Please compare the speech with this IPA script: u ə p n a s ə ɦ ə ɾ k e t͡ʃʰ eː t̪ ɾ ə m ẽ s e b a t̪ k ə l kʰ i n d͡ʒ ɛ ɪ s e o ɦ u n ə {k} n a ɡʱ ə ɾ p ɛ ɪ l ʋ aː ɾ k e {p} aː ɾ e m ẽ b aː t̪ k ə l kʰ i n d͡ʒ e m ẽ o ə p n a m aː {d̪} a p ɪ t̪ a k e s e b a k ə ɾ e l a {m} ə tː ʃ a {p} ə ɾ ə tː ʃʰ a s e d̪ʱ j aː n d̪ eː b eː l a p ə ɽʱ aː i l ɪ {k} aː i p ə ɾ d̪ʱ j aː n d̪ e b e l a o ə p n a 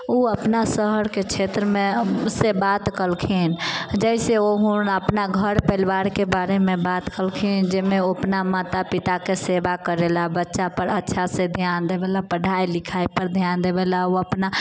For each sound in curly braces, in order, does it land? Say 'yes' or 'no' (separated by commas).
no, no, no, no, yes, no